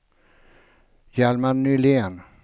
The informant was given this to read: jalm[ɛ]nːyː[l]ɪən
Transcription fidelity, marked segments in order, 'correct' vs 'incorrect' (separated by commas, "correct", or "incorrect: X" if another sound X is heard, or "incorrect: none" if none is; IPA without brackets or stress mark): incorrect: a, correct